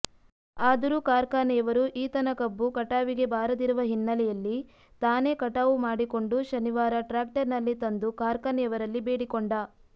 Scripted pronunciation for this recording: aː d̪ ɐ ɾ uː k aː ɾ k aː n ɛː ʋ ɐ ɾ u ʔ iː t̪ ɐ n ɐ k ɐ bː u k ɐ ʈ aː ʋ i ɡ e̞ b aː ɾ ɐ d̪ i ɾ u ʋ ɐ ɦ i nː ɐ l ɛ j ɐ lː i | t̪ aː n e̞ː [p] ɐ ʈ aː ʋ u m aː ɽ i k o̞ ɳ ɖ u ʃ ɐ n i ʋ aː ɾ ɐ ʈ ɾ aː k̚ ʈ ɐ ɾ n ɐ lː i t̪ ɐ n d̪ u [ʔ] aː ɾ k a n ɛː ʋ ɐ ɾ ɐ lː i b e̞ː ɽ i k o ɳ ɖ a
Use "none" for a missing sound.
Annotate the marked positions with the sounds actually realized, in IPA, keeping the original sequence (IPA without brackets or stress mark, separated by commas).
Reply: k, k